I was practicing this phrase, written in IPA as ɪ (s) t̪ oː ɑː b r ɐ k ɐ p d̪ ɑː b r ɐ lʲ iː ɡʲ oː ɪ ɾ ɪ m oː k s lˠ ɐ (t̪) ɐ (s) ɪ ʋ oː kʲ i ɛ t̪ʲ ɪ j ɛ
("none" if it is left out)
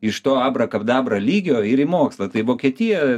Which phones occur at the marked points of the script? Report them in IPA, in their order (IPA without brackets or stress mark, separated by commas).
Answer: ʃ, t̪, none